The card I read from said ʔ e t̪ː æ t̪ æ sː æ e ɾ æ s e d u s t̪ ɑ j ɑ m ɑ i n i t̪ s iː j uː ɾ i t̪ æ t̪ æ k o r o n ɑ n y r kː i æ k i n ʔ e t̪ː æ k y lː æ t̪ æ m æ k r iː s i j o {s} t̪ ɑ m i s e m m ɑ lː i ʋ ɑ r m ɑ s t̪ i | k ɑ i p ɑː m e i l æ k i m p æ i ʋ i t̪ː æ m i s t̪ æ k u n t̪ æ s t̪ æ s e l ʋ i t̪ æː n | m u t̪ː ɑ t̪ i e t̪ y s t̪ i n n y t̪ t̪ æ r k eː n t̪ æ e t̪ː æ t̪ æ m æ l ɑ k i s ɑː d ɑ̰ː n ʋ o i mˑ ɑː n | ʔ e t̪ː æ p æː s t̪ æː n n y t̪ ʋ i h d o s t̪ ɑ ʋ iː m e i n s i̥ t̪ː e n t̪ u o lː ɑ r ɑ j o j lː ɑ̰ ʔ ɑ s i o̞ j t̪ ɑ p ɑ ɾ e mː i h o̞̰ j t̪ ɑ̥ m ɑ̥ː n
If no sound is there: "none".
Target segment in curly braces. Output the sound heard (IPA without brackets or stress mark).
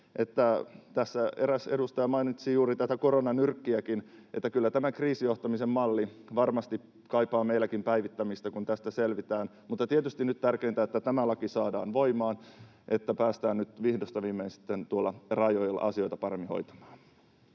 h